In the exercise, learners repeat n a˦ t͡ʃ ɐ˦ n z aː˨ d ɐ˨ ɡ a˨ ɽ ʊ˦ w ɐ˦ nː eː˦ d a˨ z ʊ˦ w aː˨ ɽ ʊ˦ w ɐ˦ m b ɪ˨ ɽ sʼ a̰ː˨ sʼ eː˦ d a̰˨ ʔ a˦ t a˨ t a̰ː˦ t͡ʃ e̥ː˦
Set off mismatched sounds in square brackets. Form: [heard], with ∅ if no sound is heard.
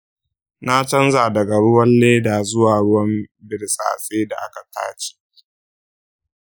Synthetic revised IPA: n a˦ t͡ʃ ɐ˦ n z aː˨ d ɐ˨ ɡ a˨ ɽ ʊ˦ w ɐ˦ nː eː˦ d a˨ z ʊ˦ w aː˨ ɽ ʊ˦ w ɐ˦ m b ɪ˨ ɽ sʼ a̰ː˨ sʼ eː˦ d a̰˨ ʔ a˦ [k] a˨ t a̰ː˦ t͡ʃ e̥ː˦